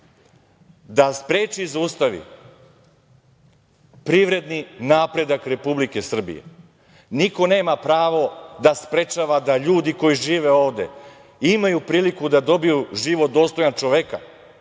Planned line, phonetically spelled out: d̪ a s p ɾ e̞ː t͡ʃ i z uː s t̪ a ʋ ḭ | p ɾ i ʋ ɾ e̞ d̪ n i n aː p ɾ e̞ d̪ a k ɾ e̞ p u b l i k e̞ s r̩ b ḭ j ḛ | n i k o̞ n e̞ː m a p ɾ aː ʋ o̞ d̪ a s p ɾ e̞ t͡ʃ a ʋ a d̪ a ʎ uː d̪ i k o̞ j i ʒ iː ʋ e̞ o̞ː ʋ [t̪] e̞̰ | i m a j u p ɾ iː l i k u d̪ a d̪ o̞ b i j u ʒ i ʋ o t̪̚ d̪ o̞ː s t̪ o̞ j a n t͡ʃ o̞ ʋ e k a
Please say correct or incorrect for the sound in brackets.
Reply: incorrect